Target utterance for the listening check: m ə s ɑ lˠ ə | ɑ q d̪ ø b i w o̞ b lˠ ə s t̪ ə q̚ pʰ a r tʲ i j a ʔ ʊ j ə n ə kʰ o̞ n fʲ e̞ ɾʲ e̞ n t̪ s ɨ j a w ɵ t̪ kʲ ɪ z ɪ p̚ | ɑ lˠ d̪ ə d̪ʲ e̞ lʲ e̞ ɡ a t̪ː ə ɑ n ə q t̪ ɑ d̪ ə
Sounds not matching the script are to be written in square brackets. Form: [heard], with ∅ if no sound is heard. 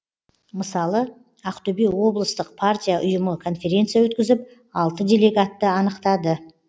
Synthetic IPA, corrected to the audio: m ə s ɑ lˠ ə | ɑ q [t̪] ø b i w o̞ b lˠ ə s t̪ ə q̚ pʰ a r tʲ i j a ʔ ʊ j ə [m] ə kʰ o̞ n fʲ e̞ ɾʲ e̞ n t̪ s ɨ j a w ɵ t̪ kʲ ɪ z ɪ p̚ | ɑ lˠ [t̪] ə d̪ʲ e̞ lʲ e̞ ɡ a t̪ː ə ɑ n ə q t̪ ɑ d̪ ə